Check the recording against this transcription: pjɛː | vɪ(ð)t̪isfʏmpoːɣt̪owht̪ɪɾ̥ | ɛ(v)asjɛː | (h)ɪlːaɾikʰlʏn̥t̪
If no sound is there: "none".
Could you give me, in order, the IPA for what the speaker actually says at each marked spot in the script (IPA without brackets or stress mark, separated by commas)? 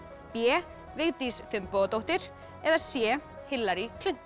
ɣ, ð, h